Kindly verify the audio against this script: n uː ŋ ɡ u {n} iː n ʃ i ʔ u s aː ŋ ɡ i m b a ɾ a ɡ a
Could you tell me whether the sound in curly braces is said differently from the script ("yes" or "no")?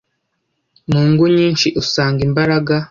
yes